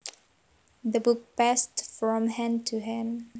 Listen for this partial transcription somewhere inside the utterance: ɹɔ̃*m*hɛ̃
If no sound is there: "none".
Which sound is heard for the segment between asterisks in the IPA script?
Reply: m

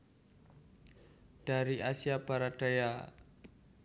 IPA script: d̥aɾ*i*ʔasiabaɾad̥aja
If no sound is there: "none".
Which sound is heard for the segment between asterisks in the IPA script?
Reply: i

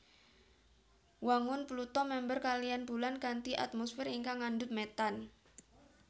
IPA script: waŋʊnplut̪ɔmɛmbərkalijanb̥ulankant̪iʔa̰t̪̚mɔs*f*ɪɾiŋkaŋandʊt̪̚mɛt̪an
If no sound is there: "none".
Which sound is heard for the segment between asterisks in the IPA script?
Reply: f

